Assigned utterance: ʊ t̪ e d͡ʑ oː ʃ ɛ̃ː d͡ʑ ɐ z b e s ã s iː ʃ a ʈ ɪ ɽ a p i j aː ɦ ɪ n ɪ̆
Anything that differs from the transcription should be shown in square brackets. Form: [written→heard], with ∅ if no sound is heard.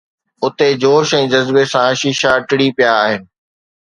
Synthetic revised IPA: ʊ t̪ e d͡ʑ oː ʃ ɛ̃ː d͡ʑ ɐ z b e s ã [s→ʃ] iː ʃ a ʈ ɪ ɽ [a→i] p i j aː ɦ ɪ n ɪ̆